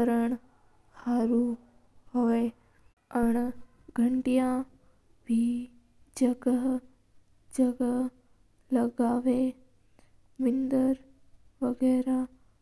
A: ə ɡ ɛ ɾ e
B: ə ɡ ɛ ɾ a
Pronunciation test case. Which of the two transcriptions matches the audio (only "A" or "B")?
B